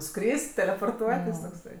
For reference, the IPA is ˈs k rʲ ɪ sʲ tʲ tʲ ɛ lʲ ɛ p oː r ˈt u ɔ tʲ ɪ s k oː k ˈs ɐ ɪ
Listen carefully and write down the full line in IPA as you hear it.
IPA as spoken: ˈs k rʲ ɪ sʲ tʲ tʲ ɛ lʲ ɛ p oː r ˈt u ɔ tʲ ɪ s t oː k ˈs ɐ ɪ